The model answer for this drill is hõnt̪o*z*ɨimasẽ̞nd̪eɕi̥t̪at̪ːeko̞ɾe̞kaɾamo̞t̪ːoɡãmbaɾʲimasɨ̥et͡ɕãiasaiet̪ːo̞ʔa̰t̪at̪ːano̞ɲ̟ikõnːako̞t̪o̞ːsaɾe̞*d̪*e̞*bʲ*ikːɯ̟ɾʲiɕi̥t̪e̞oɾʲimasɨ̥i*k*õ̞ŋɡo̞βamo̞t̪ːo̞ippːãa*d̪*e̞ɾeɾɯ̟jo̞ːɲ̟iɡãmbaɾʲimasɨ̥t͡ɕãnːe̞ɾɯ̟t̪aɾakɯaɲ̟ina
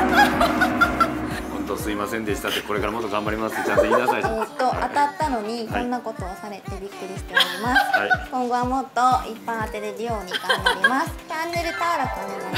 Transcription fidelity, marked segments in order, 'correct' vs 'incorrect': incorrect, incorrect, correct, correct, incorrect

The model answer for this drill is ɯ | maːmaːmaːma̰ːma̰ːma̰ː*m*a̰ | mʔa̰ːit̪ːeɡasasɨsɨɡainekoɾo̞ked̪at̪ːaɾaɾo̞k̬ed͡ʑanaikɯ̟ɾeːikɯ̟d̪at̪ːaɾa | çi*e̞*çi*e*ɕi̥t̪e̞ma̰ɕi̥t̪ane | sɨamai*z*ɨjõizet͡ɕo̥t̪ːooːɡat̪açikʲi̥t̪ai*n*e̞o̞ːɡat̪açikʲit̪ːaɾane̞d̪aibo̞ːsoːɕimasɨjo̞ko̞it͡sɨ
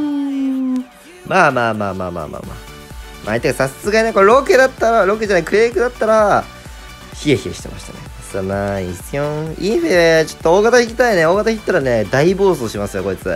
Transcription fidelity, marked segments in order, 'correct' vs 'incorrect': correct, correct, correct, incorrect, correct

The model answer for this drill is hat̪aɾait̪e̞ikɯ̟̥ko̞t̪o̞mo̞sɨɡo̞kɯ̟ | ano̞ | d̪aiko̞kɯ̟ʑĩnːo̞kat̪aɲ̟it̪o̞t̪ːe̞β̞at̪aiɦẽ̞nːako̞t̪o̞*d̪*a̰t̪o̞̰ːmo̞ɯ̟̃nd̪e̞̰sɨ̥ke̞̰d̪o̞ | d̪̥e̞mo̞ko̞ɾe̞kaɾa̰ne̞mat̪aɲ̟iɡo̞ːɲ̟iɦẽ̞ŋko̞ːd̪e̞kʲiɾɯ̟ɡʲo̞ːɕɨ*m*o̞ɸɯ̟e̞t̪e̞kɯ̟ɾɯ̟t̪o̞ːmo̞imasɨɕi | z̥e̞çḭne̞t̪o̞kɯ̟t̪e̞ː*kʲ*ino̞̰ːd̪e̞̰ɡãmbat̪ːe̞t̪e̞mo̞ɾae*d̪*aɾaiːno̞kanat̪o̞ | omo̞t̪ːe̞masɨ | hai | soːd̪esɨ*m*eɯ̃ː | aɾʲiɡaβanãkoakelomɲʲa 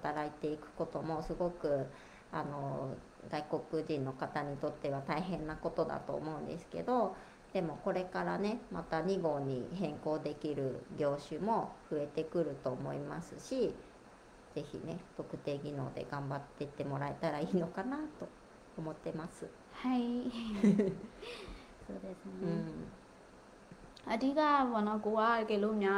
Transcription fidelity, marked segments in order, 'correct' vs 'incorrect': correct, correct, incorrect, incorrect, incorrect

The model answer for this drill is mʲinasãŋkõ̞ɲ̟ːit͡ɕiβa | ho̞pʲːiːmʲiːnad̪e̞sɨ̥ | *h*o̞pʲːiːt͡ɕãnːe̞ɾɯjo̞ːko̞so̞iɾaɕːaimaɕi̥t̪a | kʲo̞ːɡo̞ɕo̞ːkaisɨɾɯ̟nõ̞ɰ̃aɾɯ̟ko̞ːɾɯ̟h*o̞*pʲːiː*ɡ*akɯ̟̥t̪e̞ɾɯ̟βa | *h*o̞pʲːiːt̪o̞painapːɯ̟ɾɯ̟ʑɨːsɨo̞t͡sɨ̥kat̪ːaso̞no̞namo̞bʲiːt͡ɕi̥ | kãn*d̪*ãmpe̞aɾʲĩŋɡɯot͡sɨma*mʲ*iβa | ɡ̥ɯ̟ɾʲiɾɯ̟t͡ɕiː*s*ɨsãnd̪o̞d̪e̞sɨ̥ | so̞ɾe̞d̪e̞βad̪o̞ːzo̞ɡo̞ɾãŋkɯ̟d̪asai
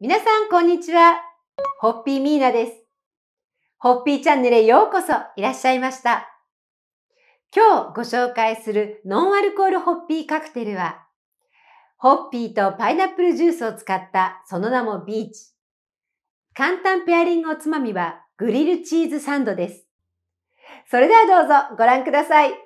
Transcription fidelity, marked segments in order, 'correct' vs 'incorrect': correct, correct, incorrect, correct, incorrect, correct, incorrect

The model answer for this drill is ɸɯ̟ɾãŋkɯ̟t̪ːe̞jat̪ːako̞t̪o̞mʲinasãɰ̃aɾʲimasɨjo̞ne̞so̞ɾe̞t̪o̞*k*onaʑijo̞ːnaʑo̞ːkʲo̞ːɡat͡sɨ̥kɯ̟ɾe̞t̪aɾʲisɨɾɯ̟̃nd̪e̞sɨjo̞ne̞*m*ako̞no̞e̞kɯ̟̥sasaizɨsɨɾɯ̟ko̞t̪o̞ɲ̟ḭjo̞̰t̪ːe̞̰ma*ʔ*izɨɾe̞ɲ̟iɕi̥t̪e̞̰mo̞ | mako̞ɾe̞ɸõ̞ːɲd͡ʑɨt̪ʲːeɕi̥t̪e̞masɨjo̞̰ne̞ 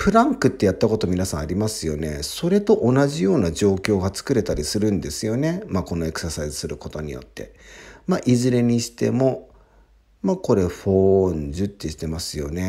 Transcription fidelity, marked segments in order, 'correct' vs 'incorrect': incorrect, correct, correct

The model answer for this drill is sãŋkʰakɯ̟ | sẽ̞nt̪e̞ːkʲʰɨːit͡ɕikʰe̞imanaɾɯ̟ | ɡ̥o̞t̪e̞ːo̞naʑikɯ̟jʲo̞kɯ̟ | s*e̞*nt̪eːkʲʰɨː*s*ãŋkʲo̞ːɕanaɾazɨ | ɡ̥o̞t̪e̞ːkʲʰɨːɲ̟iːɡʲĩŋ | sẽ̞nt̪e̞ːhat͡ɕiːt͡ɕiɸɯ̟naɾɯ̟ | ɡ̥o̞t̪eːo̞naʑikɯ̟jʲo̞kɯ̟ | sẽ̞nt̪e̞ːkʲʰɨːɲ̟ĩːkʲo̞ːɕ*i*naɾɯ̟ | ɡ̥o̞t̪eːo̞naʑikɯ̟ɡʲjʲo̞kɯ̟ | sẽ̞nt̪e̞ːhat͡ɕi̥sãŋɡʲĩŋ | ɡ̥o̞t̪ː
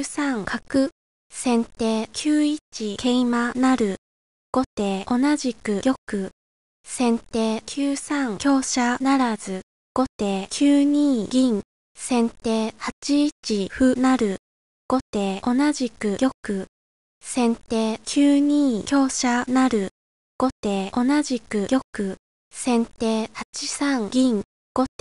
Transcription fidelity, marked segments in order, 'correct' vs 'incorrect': incorrect, correct, incorrect

